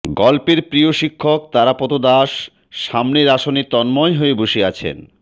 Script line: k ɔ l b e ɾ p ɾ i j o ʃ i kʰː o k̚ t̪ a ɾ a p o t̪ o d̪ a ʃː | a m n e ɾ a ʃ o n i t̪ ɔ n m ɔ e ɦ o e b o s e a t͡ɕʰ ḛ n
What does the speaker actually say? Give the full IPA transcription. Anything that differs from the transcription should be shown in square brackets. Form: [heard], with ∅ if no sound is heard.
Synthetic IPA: [ɡ] ɔ l [p] e ɾ p ɾ i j o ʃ i kʰː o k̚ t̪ a ɾ a p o t̪ o d̪ a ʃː | a m n e ɾ a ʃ o n i t̪ ɔ n m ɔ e ɦ o e b o [ʃ] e a t͡ɕʰ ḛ n